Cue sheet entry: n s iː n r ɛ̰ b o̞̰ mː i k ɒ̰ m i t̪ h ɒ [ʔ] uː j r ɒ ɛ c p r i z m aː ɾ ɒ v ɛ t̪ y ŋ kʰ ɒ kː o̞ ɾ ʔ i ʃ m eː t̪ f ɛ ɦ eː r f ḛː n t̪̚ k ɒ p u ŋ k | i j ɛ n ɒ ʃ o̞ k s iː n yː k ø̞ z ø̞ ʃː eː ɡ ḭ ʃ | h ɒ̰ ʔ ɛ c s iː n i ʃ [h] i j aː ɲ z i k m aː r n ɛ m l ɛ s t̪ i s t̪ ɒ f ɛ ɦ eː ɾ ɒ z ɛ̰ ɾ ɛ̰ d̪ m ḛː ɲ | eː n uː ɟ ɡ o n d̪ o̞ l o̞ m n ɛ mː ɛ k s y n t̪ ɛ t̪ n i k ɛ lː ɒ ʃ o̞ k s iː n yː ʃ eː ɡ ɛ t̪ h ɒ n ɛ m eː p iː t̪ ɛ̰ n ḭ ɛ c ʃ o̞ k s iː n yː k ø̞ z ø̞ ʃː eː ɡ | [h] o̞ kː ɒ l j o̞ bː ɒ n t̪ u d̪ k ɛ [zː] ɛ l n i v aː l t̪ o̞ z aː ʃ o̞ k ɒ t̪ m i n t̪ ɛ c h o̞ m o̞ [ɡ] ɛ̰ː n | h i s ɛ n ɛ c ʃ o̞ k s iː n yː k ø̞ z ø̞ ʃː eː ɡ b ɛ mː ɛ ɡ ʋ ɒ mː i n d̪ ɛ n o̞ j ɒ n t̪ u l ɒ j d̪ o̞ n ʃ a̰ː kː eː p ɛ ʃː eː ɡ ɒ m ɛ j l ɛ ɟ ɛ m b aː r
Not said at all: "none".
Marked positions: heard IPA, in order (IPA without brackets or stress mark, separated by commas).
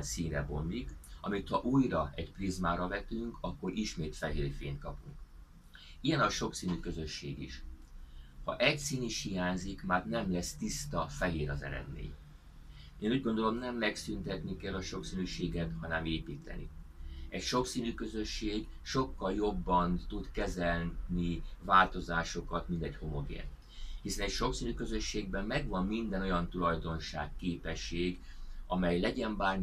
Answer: ʔ, h, ʃ, z, ɡ